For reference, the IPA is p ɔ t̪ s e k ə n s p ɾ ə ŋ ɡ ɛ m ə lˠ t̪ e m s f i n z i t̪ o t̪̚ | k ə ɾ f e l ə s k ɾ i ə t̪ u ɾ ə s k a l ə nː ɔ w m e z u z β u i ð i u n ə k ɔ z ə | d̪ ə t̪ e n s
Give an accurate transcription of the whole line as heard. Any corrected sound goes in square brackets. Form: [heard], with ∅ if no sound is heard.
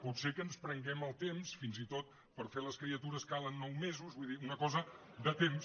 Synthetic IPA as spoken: p [u] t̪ s e k ə n s p ɾ ə ŋ ɡ ɛ m ə lˠ t̪ e m s f i n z i t̪ o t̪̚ | [p] ə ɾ f e l ə s k ɾ i ə t̪ u ɾ ə s k a l ə nː ɔ w m e z u z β u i ð i u n ə k ɔ z ə | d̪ ə t̪ e [m] s